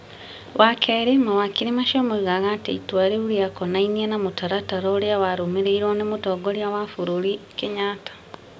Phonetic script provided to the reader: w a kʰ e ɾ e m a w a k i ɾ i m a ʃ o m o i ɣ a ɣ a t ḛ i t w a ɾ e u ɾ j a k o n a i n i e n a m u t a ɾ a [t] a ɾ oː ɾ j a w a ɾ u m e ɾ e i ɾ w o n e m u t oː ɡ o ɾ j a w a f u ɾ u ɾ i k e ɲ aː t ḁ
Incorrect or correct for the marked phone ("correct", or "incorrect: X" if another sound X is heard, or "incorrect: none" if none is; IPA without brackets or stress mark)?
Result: correct